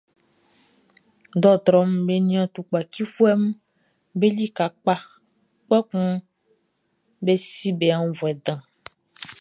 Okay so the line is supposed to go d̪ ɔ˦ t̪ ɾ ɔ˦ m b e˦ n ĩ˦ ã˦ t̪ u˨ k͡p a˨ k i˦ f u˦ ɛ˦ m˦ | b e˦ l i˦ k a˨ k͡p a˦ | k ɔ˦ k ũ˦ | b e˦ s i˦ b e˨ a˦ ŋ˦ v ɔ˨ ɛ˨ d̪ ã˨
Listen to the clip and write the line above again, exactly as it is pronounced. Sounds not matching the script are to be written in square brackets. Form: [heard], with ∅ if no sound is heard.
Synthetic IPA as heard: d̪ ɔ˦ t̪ ɾ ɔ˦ m b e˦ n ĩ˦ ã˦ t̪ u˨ k͡p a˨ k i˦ f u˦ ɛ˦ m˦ | b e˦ l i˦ k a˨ k͡p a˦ | [k͡p] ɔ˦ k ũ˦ | b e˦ s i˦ b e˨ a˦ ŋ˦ v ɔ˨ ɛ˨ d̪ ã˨